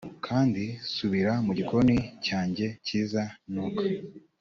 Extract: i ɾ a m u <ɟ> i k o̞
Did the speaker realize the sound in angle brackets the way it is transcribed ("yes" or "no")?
yes